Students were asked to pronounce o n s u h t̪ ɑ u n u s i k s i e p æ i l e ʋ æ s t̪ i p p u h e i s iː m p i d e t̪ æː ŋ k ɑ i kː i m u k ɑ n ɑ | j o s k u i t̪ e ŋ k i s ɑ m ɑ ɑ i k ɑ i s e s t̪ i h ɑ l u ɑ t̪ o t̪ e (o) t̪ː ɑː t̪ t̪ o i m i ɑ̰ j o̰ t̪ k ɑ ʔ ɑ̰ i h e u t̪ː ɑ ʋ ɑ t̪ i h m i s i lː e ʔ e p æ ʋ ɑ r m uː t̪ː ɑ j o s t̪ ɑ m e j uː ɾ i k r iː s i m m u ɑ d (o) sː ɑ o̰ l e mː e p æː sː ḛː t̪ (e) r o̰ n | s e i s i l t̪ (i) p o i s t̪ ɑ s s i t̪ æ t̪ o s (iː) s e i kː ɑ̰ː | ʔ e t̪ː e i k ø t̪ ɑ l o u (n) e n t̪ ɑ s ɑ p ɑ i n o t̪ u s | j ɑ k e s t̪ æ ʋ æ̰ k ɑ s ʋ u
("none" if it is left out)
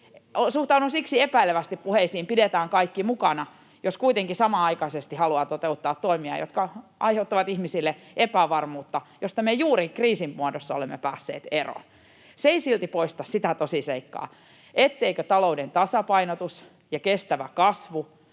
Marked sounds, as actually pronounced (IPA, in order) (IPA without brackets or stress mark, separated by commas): u, o, e, i, i, d